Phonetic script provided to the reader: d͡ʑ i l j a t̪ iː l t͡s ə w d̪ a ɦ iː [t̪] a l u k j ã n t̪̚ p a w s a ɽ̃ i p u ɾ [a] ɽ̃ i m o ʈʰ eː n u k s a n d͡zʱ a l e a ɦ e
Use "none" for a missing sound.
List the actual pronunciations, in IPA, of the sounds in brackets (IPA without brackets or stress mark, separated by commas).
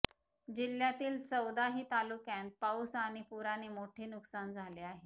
t̪, a